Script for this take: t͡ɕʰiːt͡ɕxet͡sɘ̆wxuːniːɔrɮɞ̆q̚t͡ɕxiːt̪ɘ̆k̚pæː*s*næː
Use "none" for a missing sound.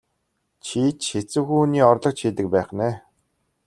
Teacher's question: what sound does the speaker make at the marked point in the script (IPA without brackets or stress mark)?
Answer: χ